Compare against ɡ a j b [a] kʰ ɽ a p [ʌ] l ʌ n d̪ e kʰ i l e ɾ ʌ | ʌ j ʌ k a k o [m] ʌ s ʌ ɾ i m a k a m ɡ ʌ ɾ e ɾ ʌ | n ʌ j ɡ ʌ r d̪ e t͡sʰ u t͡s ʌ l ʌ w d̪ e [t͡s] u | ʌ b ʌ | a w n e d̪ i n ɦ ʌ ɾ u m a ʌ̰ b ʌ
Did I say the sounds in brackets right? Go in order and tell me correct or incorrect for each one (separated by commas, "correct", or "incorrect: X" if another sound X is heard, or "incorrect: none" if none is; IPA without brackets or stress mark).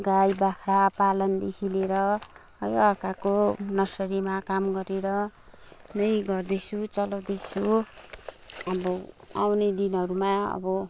correct, incorrect: a, incorrect: n, incorrect: t͡sʰ